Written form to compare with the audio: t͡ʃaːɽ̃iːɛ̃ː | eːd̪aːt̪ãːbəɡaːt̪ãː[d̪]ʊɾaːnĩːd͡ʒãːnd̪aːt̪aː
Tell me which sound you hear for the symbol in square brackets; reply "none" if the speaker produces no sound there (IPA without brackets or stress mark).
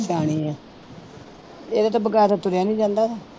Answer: t̪